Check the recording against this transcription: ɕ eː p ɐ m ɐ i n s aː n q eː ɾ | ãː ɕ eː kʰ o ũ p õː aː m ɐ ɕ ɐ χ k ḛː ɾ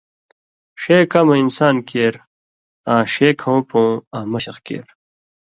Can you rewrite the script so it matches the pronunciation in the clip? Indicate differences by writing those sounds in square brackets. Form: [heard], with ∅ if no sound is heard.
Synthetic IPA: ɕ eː [k] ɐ m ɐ i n s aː n [k] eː ɾ | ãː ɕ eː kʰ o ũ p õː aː m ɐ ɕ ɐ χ k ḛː ɾ